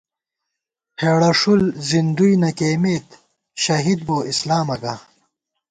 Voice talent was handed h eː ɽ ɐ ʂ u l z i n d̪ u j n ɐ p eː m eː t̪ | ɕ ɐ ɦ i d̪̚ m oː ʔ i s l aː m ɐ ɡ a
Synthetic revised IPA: h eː ɽ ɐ ʂ u l z i n d̪ u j n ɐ k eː m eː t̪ | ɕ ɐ ɦ i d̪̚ b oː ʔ i s l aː m ɐ ɡ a